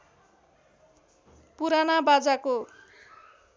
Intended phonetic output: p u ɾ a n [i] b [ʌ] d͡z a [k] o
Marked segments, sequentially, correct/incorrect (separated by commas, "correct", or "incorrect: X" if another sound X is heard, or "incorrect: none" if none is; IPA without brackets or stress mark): incorrect: a, incorrect: a, correct